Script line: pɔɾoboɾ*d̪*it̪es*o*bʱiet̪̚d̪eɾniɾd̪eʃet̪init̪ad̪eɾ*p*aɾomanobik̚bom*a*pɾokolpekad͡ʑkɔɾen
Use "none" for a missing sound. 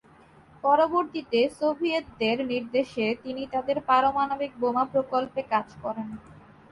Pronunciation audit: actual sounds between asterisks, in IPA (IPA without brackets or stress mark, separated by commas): t̪, o, p, a